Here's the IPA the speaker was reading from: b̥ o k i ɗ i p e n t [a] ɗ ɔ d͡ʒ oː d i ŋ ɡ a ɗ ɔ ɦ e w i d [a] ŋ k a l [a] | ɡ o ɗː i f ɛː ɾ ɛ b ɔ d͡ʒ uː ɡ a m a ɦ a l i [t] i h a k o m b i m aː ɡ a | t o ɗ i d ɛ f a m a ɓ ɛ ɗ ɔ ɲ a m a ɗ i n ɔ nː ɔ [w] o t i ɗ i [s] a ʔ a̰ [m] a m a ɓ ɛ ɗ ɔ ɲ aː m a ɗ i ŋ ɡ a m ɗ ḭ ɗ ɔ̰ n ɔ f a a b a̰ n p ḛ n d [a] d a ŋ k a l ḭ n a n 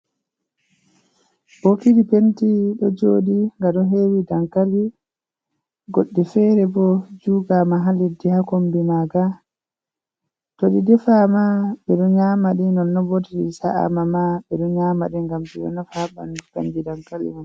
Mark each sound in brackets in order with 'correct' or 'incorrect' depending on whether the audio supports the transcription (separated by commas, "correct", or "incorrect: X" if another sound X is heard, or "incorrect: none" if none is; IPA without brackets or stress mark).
incorrect: i, correct, incorrect: i, incorrect: d, incorrect: b, correct, correct, incorrect: i